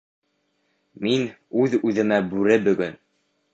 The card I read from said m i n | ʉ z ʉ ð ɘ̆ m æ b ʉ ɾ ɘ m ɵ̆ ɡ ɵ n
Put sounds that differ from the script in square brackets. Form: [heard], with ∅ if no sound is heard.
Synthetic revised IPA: m i n | ʉ [ð] ʉ ð ɘ̆ m æ b ʉ ɾ ɘ [b] ɵ̆ ɡ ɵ n